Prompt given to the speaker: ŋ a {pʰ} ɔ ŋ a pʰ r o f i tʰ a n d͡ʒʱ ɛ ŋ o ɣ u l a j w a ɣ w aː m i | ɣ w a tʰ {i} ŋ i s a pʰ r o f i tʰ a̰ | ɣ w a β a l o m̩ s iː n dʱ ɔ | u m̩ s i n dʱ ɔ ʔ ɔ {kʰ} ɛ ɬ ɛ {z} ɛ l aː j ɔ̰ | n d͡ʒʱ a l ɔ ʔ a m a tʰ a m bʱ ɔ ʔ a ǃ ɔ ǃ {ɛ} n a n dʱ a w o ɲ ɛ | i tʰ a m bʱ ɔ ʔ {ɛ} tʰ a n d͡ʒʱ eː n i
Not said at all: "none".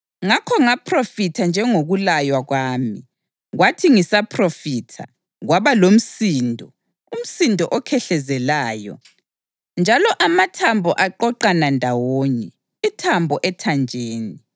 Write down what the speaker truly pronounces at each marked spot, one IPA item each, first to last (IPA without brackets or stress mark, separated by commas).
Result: kʰ, i, kʰ, z, a, ɛ